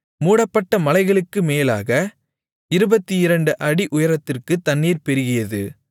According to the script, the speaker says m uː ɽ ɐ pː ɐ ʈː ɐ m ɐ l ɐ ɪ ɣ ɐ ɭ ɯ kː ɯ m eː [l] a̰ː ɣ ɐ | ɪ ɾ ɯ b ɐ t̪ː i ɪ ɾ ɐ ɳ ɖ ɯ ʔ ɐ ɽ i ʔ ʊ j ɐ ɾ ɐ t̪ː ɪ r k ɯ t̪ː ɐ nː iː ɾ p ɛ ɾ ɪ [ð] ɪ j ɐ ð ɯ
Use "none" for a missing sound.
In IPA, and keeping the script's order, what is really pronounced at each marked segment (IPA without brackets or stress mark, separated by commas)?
l, ɣ